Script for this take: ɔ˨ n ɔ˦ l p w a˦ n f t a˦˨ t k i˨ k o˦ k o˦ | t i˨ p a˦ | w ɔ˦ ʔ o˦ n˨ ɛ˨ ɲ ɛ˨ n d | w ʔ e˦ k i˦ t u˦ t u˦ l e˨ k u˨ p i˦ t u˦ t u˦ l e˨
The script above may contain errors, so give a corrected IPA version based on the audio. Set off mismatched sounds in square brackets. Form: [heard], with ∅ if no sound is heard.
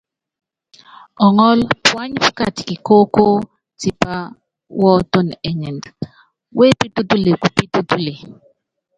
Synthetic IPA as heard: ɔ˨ [ŋ] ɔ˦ l p w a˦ [ɲ] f [k] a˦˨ t k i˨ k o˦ k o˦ | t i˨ p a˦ | w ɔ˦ [t] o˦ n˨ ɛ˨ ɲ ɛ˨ n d | w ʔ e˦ [p] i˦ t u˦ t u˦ l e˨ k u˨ p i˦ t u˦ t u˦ l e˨